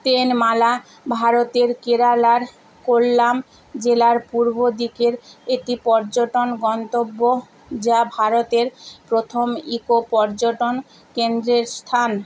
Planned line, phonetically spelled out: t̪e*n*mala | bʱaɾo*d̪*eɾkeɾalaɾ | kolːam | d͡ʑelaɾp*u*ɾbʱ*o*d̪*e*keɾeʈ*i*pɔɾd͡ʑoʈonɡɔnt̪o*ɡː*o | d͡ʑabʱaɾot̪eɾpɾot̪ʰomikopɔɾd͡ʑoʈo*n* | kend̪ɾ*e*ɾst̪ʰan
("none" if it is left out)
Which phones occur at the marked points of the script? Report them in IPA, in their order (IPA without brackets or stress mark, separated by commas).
n, t̪, u, o, i, i, bː, n, e